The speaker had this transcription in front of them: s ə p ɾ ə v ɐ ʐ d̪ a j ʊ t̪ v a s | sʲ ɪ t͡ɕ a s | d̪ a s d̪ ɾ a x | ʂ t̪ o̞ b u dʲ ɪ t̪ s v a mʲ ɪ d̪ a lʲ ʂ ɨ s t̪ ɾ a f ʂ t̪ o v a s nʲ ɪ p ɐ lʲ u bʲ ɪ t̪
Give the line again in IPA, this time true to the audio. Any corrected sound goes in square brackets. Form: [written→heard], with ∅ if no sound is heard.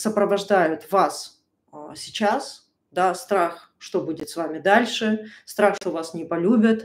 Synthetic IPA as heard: s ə p ɾ ə v ɐ ʐ d̪ a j ʊ t̪ v a s | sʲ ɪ t͡ɕ a s | d̪ a s [d̪→t̪] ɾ a x | ʂ t̪ o̞ b u dʲ ɪ t̪ s v a mʲ ɪ d̪ a lʲ ʂ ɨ s t̪ ɾ a [f→x] ʂ t̪ o v a s nʲ ɪ p ɐ lʲ u bʲ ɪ t̪